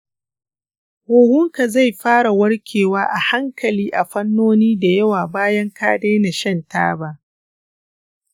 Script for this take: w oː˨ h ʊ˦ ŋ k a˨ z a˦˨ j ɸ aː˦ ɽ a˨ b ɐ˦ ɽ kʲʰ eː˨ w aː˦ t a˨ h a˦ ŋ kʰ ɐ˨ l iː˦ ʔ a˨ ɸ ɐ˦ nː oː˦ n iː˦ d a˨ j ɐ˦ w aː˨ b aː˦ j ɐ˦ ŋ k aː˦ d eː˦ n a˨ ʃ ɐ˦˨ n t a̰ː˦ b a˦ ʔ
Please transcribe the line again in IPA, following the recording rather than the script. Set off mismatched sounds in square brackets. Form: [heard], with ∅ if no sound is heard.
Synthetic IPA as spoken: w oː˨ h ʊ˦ ŋ k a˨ z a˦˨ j ɸ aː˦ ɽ a˨ [w] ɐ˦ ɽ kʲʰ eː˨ w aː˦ [ʔ] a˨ h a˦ ŋ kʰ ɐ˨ l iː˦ ʔ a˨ ɸ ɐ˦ nː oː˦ n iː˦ d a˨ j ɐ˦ w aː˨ b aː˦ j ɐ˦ ŋ k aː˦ d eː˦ n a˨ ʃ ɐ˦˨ n t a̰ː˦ b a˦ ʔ